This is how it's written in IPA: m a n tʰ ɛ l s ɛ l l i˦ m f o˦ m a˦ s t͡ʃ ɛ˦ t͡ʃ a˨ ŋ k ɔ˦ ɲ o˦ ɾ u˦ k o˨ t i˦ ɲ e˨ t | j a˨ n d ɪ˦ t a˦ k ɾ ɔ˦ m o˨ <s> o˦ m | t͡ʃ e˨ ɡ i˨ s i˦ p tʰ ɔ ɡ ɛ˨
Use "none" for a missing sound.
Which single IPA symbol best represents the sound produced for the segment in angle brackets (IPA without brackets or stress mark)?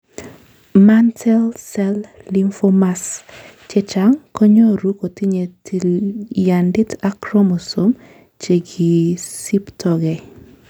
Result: s